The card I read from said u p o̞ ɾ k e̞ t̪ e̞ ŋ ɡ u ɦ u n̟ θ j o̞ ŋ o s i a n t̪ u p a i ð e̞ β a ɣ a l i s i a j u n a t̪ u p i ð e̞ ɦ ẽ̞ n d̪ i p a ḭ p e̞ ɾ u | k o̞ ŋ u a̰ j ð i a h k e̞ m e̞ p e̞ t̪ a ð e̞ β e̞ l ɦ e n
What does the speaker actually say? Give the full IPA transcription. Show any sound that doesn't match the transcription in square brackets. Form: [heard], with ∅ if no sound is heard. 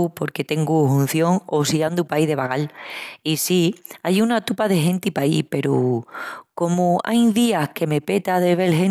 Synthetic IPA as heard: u p o̞ ɾ k e̞ t̪ e̞ ŋ ɡ u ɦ u n̟ θ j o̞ ŋ o s i a n [d̪] u p a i ð e̞ β a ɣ a l i s i a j u n a t̪ u p [a] ð e̞ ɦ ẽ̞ n [t̪] i p a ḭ p e̞ ɾ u | k o̞ [m] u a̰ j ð i a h k e̞ m e̞ p e̞ t̪ a ð e̞ β e̞ l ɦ e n